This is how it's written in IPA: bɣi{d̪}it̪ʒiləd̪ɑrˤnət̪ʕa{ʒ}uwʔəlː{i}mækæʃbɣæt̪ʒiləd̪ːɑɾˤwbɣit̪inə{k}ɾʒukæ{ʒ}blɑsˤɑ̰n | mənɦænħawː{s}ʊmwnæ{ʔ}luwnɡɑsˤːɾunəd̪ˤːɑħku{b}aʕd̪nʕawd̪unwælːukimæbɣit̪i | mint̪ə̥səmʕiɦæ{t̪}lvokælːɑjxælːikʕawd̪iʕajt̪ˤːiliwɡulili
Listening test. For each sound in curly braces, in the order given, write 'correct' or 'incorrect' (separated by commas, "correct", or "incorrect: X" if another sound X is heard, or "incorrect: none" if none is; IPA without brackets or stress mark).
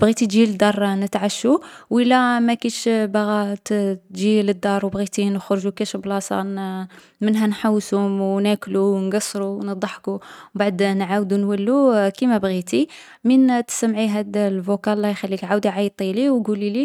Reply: incorrect: t̪, incorrect: ʃ, incorrect: æ, incorrect: x, incorrect: ʃ, correct, incorrect: k, correct, incorrect: d̪